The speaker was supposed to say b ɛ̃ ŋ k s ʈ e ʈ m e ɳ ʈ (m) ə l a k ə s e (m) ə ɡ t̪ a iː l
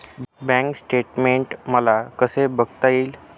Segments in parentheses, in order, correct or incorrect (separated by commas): correct, incorrect